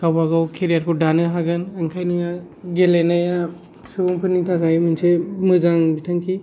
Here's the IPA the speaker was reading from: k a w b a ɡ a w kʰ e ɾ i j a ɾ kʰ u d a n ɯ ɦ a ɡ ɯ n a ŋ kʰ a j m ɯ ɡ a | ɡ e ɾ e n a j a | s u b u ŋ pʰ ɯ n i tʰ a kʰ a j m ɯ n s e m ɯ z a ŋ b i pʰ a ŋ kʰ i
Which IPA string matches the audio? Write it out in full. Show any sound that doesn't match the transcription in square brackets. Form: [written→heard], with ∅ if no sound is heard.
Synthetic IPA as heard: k a w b a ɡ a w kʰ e ɾ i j a ɾ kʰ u d a n ɯ ɦ a ɡ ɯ n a ŋ kʰ a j [m→n] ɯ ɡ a | ɡ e [ɾ→l] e n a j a | s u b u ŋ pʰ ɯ n i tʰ a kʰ a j m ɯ n s e m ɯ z a ŋ b i [pʰ→tʰ] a ŋ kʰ i